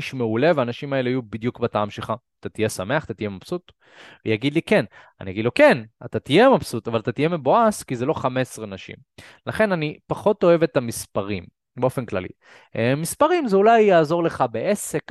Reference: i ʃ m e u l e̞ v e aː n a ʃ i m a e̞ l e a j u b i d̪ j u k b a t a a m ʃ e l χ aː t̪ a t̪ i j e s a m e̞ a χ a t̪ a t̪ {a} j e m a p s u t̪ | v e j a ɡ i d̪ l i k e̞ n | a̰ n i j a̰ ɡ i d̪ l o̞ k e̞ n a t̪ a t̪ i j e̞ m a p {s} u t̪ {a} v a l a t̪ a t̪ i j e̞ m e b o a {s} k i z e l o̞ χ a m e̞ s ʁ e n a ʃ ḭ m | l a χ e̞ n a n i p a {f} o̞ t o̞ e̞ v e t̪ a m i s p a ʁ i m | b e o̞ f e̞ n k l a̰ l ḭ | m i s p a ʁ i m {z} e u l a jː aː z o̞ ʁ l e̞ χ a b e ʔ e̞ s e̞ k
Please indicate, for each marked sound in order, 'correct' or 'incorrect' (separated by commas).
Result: incorrect, correct, correct, correct, incorrect, correct